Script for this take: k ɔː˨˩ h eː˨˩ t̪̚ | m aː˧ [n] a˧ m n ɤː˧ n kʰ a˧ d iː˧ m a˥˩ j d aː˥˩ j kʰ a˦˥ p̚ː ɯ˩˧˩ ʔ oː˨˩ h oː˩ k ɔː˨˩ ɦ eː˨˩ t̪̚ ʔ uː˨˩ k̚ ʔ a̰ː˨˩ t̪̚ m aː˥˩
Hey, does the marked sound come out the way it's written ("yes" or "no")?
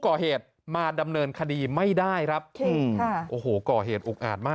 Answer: no